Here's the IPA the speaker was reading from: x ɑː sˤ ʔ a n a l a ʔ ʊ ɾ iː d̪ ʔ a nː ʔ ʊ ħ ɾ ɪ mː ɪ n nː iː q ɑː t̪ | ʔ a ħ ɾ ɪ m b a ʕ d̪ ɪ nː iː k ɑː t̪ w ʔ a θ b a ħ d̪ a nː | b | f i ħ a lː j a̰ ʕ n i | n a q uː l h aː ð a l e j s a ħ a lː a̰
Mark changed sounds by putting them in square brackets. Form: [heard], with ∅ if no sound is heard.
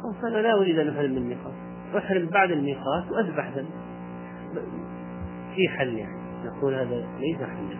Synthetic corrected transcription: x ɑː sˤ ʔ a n a l a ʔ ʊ ɾ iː d̪ ʔ a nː ʔ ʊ ħ ɾ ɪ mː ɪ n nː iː q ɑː t̪ | ʔ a ħ ɾ ɪ m b a ʕ d̪ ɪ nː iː [q] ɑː t̪ w ʔ a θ b a ħ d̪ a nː | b | f i ħ a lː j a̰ ʕ n i | n a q uː l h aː ð a l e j s a ħ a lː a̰